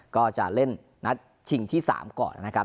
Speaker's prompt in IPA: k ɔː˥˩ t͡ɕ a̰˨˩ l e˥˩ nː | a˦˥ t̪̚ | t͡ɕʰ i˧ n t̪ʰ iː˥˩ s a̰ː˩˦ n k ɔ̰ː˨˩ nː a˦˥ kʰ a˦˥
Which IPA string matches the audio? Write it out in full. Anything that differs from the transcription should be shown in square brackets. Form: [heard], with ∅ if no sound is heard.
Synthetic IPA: k ɔː˥˩ t͡ɕ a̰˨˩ l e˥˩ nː | a˦˥ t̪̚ | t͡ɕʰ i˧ [ŋ] t̪ʰ iː˥˩ s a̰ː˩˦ [m] k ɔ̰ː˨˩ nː a˦˥ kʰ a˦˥